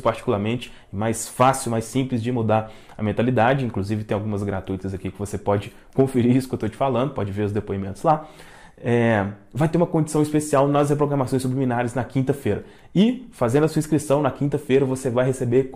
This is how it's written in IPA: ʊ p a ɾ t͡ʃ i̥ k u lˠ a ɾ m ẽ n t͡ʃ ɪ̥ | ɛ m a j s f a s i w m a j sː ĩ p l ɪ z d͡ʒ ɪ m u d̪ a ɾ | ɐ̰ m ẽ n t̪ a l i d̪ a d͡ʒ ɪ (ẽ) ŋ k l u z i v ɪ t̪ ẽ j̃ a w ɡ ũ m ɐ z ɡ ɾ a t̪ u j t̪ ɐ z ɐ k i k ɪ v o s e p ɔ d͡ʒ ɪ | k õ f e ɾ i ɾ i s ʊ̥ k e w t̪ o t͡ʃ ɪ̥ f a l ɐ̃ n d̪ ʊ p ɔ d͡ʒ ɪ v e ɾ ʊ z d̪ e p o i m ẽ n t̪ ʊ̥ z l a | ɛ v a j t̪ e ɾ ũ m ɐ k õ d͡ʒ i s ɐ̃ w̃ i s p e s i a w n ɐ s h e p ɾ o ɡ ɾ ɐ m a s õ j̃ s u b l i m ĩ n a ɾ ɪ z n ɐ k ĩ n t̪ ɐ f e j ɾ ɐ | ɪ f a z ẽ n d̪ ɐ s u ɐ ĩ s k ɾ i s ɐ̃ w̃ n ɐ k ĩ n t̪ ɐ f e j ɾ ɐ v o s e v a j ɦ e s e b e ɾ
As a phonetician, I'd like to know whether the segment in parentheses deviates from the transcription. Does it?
yes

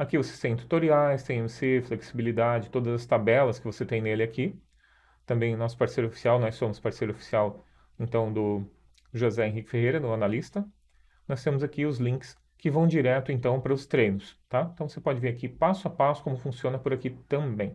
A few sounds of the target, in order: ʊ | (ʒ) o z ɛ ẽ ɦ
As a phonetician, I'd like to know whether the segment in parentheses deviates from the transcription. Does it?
no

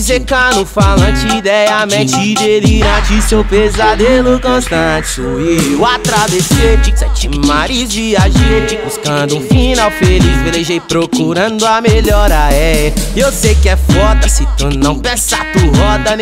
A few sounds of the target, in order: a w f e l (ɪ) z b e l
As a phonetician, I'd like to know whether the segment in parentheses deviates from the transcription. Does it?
yes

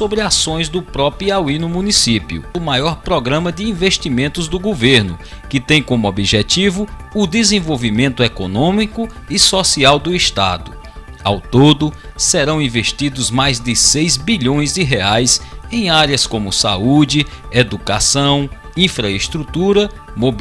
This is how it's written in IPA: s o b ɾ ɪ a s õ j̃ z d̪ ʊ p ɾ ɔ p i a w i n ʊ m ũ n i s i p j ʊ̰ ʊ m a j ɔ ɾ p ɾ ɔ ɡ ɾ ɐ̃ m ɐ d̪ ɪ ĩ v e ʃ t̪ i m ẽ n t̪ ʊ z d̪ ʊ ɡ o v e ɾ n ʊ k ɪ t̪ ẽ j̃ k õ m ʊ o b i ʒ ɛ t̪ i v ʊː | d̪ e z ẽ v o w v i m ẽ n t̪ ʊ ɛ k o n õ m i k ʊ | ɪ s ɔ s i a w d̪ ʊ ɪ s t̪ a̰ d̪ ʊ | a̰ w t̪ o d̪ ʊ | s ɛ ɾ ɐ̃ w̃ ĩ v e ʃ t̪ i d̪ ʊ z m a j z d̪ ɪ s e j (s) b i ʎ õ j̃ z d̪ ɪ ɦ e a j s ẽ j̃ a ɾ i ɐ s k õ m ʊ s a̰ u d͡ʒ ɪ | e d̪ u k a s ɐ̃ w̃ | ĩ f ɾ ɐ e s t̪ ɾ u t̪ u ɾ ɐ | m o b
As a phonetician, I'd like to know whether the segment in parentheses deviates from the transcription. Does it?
yes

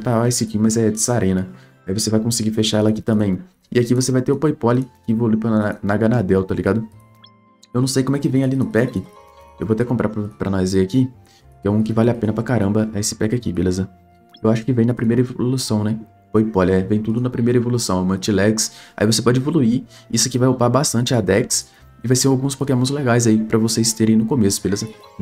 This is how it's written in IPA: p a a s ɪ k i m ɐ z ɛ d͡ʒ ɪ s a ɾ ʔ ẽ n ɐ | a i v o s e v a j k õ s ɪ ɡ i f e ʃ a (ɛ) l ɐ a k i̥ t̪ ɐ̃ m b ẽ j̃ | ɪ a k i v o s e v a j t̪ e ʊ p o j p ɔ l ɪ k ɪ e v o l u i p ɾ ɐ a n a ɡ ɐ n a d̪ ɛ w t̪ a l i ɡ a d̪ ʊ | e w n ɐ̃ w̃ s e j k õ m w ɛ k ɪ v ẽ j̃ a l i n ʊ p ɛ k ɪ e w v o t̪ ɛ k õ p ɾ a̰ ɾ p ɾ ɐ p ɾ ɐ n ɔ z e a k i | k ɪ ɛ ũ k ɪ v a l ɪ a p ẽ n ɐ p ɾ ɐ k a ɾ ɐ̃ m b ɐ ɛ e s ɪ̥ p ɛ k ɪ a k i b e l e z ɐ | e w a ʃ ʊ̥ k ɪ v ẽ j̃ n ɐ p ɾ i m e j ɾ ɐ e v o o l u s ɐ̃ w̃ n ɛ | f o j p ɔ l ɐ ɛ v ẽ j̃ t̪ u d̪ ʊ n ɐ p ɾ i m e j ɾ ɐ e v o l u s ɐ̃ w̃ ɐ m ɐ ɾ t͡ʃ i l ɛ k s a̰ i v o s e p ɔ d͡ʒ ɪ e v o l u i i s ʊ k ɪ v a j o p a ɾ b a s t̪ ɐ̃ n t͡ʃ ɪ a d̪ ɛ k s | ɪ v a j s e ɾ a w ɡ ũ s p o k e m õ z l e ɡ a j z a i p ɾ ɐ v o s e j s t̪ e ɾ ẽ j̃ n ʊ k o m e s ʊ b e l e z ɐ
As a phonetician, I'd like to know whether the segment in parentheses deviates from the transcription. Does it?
no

